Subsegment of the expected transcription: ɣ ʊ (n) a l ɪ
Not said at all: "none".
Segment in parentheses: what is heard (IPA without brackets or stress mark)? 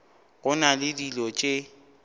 n